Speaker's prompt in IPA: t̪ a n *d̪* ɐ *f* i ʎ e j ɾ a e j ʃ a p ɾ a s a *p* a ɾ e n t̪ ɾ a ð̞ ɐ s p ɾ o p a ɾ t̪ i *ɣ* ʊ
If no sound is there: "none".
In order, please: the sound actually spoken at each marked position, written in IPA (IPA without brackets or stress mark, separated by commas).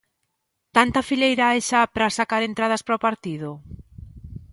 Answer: t̪, f, k, ð